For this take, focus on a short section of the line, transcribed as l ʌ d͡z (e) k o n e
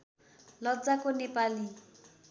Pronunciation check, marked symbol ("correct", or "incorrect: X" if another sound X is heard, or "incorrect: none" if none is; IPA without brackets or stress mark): incorrect: a